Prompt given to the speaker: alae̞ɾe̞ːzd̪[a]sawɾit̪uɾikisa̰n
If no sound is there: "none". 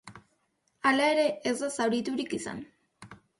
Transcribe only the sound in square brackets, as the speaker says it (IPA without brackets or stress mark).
a